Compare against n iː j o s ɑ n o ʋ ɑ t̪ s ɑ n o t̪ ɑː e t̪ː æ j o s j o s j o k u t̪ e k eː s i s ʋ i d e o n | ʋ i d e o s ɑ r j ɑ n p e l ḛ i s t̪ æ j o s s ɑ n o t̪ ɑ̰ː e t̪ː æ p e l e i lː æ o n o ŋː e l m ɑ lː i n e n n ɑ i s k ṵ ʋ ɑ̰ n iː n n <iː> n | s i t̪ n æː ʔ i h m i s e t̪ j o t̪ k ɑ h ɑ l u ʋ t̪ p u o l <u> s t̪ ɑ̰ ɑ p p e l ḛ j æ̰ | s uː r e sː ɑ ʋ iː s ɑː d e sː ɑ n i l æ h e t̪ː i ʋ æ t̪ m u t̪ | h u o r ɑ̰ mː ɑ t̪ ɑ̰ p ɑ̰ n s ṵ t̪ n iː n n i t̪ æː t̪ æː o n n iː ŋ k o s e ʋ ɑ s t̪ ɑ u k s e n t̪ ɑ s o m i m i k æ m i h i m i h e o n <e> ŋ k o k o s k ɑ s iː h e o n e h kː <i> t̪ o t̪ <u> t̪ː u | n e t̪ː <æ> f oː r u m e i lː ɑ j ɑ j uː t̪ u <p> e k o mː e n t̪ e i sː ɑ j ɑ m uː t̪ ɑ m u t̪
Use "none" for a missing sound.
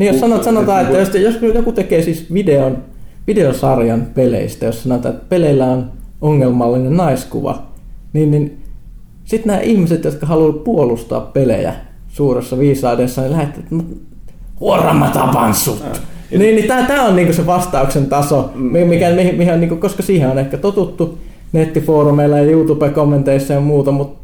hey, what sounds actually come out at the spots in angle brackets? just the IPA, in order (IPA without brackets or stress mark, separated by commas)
i, u, i, æ, u, i, p